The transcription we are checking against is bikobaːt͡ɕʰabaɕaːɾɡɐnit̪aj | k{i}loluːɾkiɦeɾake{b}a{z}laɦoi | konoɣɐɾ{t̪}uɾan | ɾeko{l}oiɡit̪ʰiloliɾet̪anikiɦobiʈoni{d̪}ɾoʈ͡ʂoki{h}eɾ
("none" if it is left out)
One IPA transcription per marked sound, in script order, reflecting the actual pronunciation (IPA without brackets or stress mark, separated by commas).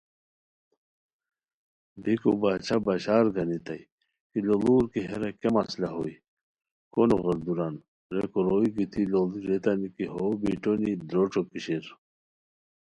i, m, s, d̪, ɾ, d̪, ɕ